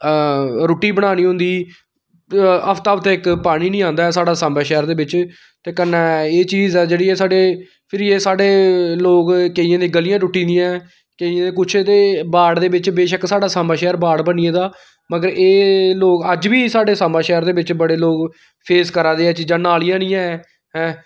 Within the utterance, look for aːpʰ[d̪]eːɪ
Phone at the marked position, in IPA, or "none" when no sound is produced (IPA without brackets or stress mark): t̪